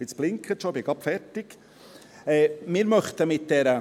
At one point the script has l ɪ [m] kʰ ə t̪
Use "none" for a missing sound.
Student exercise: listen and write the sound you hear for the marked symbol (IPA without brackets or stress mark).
ŋ